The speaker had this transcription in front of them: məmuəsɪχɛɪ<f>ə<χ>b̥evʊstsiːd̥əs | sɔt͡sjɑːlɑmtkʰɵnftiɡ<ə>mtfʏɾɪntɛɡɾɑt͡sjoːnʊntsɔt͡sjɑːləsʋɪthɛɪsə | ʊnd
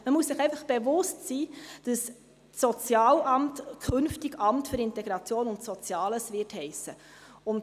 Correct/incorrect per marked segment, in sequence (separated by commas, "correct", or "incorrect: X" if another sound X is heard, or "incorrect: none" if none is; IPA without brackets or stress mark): correct, correct, incorrect: ɑ